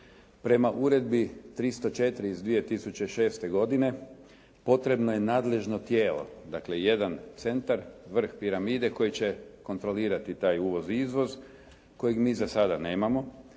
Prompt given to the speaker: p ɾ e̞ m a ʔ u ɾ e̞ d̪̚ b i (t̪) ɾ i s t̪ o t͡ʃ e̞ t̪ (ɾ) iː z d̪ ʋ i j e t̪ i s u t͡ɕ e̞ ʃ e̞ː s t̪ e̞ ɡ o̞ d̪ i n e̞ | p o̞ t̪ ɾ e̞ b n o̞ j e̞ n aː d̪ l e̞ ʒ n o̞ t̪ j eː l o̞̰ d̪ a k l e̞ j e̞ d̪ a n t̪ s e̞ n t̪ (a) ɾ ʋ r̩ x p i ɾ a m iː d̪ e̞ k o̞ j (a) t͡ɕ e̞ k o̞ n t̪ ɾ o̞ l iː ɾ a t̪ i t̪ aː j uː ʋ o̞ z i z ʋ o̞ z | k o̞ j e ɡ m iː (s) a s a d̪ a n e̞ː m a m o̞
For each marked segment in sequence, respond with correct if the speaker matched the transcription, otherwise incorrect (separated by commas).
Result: correct, correct, correct, incorrect, incorrect